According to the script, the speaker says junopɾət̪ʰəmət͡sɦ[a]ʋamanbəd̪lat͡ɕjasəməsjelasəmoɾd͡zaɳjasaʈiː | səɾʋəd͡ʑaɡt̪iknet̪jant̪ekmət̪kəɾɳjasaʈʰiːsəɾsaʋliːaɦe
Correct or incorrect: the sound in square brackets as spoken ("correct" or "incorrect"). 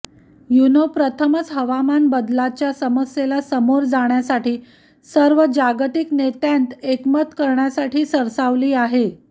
incorrect